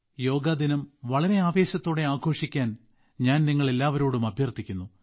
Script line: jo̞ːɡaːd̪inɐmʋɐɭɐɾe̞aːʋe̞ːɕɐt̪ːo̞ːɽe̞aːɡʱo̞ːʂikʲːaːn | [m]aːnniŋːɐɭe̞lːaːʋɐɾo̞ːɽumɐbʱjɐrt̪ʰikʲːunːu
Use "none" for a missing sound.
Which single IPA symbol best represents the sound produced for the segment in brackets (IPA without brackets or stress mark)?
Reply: ɲ